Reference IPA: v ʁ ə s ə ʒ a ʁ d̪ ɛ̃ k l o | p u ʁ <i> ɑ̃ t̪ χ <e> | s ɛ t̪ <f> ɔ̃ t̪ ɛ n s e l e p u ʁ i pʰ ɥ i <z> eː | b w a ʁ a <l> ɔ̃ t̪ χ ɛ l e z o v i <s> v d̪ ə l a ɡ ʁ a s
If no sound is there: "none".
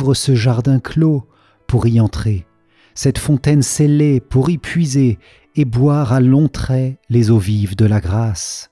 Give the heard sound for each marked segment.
i, e, f, z, l, none

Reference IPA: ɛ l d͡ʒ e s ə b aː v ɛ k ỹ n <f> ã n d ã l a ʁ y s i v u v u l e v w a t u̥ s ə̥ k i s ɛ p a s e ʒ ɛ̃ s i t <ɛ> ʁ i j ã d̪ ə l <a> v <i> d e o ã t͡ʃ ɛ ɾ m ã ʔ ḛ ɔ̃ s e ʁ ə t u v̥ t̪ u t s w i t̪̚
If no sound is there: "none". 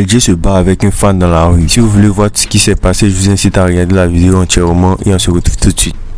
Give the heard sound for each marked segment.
f, a, a, i

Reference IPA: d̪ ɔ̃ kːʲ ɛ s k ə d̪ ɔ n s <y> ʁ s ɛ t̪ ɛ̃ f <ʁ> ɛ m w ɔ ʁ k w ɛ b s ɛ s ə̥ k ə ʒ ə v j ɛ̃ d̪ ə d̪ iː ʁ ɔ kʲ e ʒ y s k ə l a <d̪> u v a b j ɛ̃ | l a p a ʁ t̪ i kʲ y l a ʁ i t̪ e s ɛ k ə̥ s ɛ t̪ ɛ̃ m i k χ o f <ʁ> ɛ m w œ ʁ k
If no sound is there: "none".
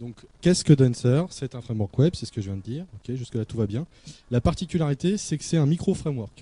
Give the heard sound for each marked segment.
œ, χ, t̪, χ

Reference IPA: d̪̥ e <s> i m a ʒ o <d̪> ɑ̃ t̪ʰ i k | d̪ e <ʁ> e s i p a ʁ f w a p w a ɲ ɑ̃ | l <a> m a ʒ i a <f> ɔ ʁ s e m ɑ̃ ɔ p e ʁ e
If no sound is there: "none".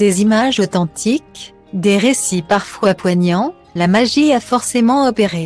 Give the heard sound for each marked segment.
z, t̪, ʁ, a, f

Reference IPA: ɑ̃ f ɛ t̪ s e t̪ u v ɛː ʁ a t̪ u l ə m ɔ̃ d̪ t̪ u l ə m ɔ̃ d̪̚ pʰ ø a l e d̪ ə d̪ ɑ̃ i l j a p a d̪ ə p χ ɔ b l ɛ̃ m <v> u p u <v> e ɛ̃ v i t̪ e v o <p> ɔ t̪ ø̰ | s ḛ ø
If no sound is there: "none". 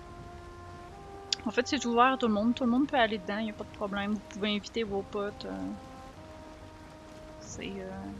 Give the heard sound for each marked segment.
v, v, p

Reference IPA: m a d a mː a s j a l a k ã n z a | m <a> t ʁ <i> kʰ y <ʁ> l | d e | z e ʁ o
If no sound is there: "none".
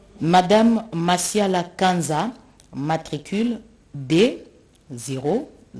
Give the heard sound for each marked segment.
a, i, none

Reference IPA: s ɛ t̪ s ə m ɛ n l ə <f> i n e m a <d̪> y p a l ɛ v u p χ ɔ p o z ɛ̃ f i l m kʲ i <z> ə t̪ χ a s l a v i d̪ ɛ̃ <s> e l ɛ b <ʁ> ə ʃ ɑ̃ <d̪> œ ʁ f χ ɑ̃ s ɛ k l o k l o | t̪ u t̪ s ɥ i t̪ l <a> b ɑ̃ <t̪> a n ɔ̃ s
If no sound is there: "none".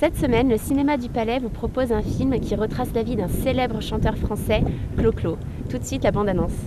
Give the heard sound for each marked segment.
s, d̪, ʁ, s, ʁ, t̪, a, d̪

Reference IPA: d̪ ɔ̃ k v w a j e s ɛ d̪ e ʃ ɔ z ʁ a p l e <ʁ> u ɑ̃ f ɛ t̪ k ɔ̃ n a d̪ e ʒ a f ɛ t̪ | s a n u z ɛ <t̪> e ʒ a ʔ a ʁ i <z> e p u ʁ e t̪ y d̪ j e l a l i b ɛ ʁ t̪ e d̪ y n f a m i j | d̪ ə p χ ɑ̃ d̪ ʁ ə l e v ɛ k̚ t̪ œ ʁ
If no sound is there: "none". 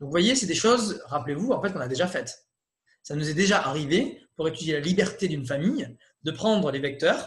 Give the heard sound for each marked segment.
v, d̪, v

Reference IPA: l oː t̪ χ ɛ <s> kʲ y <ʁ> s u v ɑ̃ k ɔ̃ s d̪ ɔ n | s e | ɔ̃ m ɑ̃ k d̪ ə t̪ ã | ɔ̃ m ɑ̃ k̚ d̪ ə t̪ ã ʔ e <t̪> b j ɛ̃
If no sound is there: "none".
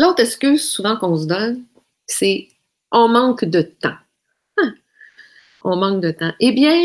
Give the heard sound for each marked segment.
s, z, none

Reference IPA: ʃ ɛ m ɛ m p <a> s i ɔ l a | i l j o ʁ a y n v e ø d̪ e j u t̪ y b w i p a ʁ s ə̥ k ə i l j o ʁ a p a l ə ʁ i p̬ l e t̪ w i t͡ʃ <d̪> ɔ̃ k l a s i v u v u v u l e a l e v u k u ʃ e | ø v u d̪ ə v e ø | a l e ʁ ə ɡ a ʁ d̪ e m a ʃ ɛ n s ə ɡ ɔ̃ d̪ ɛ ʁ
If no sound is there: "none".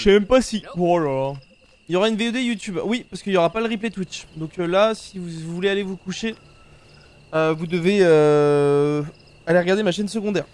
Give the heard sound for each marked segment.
a, d̪

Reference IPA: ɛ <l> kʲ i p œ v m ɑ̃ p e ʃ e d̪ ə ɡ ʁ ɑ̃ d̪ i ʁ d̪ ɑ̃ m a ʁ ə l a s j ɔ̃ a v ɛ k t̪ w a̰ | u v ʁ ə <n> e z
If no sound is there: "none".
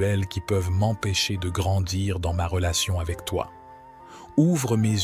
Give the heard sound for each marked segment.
l, m

